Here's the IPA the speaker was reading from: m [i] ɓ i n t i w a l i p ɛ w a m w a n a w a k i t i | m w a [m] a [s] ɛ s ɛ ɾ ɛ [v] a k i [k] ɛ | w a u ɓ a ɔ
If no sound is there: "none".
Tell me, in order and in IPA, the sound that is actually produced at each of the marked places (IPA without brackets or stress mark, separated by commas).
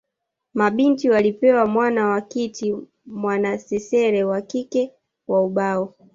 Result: a, n, s, w, k